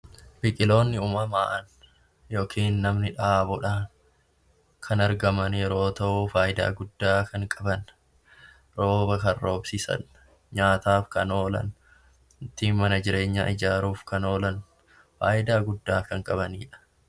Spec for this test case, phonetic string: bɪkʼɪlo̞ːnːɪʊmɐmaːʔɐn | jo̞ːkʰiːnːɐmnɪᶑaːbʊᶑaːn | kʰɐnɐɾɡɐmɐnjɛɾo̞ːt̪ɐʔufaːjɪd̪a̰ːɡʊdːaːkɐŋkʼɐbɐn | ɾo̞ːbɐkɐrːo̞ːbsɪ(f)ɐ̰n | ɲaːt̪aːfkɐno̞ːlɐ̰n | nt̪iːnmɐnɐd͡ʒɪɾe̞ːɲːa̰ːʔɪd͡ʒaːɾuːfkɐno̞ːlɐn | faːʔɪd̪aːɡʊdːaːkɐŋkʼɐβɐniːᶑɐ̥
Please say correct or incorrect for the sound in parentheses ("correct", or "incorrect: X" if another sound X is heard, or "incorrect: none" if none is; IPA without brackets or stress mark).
incorrect: s